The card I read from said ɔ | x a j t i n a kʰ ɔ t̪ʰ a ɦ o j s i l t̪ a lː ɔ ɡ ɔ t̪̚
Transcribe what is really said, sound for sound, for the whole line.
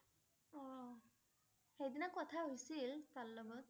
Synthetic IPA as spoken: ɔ | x e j d i n a k ɔ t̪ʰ a ɦ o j s i l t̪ a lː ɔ b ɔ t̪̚